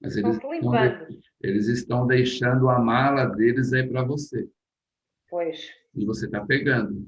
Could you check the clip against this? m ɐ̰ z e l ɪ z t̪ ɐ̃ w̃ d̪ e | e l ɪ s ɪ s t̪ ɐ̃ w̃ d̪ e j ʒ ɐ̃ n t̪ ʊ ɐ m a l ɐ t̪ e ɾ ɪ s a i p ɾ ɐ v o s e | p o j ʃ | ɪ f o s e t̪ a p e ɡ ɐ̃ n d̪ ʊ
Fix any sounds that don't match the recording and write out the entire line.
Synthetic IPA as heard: m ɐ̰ z e l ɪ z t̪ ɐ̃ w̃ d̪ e | e l ɪ z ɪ s t̪ ɐ̃ w̃ d̪ e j ʃ ɐ̃ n d̪ ʊ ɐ m a l ɐ d̪ e l ɪ z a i p ɾ ɐ v o s e | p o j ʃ | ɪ v o s e t̪ a p e ɡ ɐ̃ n d̪ ʊ